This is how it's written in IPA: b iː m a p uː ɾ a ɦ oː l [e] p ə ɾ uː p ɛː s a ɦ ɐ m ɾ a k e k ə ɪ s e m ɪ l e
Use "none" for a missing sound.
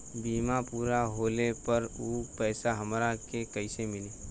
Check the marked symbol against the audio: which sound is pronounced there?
e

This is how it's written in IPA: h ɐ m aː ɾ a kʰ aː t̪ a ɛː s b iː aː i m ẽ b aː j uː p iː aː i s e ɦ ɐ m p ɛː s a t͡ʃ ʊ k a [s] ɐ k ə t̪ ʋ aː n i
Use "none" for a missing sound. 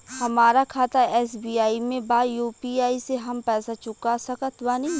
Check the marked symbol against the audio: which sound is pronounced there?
s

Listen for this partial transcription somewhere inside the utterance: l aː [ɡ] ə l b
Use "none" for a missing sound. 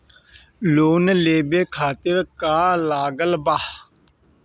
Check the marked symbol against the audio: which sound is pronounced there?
ɡ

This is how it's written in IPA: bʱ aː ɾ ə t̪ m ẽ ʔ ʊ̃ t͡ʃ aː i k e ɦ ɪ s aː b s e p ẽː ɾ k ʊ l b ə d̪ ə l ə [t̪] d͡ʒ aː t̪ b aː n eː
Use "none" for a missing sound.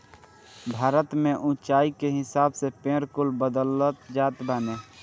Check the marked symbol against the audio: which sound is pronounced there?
t̪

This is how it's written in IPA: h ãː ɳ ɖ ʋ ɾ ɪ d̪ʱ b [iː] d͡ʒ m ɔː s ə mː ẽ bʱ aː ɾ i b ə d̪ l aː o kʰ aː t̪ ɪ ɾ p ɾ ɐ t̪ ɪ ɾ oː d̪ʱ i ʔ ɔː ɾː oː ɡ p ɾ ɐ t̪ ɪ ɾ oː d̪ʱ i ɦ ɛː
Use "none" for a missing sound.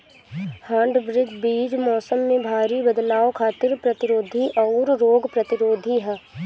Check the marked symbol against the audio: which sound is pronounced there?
iː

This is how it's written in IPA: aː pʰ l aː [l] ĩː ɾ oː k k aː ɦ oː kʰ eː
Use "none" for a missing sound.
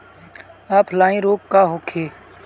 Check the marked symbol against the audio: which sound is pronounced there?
none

